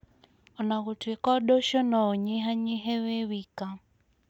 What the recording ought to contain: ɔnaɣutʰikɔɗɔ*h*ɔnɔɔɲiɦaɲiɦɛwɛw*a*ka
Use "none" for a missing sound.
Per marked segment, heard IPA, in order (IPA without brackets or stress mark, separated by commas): ʃ, i